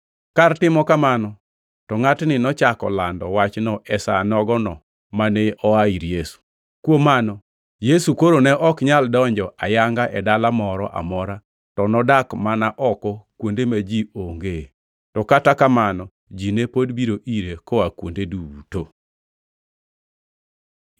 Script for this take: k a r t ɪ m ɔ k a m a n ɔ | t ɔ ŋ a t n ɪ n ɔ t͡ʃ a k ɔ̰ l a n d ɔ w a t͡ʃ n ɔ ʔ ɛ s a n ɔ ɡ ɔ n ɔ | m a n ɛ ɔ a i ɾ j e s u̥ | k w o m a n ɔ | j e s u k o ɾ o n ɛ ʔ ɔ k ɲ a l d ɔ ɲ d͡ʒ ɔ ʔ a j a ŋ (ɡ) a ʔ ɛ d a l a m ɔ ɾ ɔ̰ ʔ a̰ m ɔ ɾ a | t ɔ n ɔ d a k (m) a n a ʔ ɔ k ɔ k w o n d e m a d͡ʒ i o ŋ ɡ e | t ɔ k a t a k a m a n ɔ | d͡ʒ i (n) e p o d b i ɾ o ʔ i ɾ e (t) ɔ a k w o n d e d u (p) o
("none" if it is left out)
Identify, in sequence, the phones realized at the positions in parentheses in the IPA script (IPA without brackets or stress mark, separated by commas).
ɡ, m, n, k, t